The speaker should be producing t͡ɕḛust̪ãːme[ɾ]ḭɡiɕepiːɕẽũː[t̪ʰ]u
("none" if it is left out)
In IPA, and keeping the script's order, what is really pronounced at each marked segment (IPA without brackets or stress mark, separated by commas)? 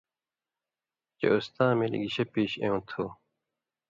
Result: l, t̪ʰ